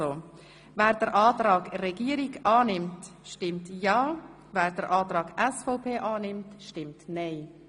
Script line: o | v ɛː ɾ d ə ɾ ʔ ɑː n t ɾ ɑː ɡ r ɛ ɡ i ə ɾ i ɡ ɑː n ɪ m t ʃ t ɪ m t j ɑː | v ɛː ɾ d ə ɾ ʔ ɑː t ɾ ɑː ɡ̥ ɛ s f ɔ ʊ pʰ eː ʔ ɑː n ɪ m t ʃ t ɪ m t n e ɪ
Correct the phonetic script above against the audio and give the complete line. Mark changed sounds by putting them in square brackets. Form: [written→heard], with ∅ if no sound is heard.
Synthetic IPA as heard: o | v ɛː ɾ d ə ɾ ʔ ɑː [n→∅] t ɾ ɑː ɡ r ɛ ɡ i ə ɾ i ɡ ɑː n ɪ m t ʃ t ɪ m t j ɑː | v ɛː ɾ d ə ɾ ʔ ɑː t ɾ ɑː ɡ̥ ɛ s f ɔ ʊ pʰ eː ʔ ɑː n ɪ m t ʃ t ɪ m t n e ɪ